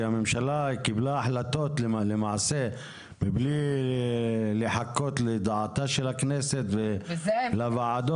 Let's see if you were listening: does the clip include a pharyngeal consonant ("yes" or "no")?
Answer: yes